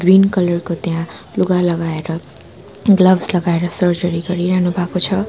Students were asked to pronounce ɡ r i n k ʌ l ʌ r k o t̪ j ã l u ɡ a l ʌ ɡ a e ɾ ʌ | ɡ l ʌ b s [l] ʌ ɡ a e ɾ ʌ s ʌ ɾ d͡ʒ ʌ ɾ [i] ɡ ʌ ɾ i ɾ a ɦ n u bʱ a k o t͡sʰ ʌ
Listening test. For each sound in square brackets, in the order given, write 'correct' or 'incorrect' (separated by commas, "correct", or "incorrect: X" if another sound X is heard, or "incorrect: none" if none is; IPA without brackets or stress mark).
correct, correct